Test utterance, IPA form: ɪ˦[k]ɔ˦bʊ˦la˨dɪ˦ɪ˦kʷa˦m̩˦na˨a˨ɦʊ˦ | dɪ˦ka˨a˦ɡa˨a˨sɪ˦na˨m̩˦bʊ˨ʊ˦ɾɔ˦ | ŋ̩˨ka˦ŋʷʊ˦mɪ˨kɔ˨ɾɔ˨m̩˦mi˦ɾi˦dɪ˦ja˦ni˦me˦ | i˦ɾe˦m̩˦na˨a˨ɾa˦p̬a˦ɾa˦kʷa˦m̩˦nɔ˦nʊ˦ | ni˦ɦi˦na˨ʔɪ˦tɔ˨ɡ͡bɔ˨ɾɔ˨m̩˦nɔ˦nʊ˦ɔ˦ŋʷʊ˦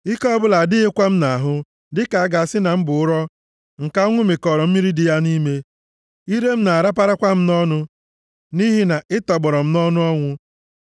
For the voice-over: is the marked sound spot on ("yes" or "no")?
yes